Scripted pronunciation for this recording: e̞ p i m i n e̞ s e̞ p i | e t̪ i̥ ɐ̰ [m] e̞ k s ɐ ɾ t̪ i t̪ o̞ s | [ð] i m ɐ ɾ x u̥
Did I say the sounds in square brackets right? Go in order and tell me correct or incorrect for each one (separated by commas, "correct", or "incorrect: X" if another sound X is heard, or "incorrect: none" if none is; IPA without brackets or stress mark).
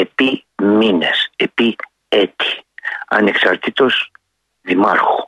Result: incorrect: n, correct